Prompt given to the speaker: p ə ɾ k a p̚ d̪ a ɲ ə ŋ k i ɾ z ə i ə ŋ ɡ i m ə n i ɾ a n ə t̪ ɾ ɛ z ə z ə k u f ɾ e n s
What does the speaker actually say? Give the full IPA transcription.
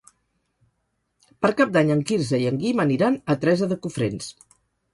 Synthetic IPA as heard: p ə ɾ k a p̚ d̪ a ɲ ə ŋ k i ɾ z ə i ə ŋ ɡ i m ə n i ɾ a n ə t̪ ɾ ɛ z ə ð ə k u f ɾ e n s